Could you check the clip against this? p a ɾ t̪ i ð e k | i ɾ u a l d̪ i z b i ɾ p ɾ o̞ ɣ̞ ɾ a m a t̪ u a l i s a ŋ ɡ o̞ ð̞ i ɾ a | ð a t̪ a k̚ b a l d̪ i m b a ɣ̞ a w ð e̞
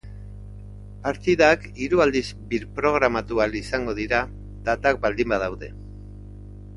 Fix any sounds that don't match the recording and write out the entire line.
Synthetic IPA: p a ɾ t̪ i ð a k | i ɾ u a l d̪ i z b i ɾ p ɾ o̞ ɣ̞ ɾ a m a t̪ u a l i s a ŋ ɡ o̞ ð̞ i ɾ a | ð a t̪ a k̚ b a l d̪ i m b a ð̞ a w ð e̞